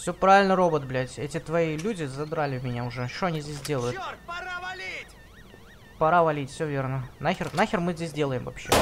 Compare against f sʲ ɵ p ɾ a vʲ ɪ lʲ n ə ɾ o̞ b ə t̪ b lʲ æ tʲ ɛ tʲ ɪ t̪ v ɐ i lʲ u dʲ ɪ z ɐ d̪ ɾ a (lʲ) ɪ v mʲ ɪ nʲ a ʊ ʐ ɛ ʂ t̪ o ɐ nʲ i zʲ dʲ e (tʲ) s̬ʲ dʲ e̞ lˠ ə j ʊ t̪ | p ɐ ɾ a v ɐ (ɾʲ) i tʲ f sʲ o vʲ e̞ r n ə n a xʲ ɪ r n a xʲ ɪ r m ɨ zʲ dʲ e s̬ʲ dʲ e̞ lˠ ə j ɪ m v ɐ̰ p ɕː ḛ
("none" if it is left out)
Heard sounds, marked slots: lʲ, none, lʲ

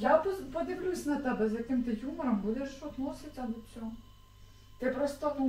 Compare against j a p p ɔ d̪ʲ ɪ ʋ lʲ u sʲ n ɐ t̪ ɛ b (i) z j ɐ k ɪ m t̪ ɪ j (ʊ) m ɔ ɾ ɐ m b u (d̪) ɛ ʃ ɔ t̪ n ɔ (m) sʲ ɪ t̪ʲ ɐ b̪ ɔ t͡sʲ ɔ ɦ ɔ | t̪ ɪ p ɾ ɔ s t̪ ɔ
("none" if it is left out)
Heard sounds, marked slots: ɛ, u, d̪, none

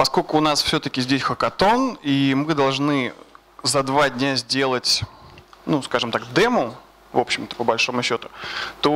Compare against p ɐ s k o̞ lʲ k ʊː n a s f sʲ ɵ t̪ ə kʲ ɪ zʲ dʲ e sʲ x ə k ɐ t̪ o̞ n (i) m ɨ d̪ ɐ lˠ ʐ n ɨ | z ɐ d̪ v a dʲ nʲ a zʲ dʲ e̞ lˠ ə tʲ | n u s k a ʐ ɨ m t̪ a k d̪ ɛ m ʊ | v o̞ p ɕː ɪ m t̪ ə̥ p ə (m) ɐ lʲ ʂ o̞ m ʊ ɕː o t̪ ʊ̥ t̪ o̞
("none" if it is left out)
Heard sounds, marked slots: i, b

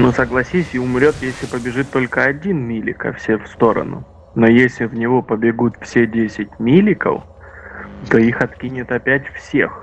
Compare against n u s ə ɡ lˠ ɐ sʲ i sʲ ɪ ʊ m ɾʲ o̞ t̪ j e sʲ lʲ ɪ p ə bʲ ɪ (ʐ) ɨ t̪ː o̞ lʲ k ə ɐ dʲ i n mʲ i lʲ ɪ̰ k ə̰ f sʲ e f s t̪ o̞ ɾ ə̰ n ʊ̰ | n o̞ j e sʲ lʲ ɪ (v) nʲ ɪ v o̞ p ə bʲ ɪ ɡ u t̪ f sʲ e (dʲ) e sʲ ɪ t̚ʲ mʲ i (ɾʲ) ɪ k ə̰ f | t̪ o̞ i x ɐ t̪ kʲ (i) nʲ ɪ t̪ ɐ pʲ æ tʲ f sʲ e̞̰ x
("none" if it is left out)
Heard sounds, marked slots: ʐ, v, dʲ, lʲ, i

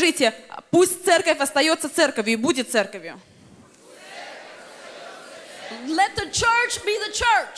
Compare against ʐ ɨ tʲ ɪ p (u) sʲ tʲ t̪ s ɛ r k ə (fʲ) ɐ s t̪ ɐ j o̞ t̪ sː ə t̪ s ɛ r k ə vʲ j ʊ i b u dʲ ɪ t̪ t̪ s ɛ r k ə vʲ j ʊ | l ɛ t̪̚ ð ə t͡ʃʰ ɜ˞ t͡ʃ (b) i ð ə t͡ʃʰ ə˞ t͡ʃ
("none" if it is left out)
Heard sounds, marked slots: u, fʲ, b

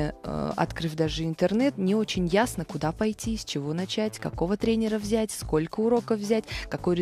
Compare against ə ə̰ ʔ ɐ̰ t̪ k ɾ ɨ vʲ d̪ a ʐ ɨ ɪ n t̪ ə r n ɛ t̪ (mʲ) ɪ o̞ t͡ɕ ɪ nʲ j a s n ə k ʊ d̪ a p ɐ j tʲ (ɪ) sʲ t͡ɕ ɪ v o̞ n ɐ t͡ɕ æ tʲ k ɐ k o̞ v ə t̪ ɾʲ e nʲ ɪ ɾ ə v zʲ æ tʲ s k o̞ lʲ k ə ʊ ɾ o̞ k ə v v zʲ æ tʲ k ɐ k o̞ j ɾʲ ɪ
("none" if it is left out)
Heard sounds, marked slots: nʲ, i

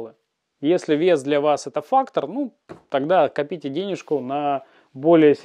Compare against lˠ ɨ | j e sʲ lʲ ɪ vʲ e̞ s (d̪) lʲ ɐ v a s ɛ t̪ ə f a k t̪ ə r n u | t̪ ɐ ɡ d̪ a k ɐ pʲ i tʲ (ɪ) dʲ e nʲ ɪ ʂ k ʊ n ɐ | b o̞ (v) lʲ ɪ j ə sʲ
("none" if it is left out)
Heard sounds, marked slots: d̪, ɪ, none

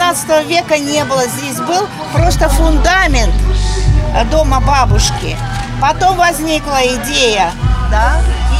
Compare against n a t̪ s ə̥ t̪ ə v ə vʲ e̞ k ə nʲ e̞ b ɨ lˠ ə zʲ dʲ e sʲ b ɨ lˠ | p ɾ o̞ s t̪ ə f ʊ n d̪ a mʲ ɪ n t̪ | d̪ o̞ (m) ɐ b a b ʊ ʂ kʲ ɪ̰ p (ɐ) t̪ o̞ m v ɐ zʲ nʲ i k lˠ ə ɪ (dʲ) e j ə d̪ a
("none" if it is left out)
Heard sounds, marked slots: m, ɐ, dʲ

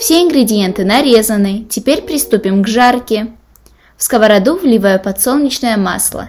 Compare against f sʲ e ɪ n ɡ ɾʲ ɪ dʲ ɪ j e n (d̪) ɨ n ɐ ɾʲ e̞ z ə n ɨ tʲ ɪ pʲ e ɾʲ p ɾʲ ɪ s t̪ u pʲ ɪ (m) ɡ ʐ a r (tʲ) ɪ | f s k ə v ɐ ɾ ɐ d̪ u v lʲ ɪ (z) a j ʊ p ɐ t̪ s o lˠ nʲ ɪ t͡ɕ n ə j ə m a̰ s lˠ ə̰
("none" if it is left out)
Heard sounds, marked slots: t̪, m, kʲ, v

